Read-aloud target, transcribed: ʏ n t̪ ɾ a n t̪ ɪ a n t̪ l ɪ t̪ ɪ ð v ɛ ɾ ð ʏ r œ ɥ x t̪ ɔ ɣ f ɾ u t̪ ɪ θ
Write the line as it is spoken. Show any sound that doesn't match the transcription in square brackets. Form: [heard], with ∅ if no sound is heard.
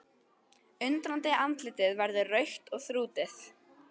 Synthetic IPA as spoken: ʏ n t̪ ɾ a n t̪ ɪ a n t̪ l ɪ t̪ ɪ ð v ɛ ɾ ð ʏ r œ ɥ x t̪ ɔ ɣ [θ] ɾ [uː] t̪ ɪ θ